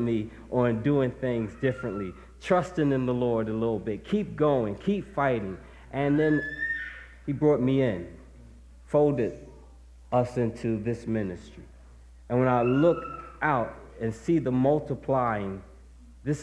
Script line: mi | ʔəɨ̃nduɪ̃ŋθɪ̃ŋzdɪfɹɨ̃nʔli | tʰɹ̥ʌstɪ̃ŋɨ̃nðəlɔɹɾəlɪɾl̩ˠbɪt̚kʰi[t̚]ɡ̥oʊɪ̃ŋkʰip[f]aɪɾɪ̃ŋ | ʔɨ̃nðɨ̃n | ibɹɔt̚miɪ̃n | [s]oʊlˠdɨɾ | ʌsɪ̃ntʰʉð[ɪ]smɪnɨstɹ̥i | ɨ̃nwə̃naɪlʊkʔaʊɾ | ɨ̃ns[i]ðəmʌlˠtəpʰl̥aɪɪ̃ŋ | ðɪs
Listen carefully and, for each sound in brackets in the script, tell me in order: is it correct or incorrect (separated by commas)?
incorrect, correct, incorrect, correct, correct